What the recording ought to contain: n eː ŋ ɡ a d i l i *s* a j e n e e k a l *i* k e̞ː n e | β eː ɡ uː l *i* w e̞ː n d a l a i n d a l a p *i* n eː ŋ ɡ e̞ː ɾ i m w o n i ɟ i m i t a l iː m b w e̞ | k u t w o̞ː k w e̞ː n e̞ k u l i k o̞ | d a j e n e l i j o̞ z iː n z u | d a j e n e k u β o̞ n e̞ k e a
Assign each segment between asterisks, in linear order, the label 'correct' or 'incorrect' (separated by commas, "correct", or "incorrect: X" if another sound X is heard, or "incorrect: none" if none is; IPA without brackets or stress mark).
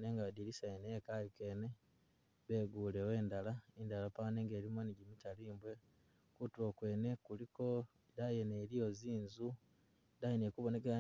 correct, correct, incorrect: e, incorrect: a